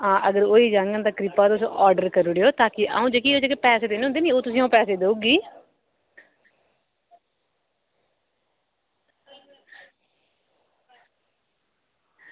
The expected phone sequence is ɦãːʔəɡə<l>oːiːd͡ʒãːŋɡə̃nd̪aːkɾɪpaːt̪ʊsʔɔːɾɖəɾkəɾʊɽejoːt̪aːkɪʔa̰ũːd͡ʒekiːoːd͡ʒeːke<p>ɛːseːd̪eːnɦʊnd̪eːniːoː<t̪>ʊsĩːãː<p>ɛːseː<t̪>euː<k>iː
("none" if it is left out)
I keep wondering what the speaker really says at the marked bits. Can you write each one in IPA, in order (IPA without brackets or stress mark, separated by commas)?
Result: ɾ, p, t̪, p, d̪, ɡ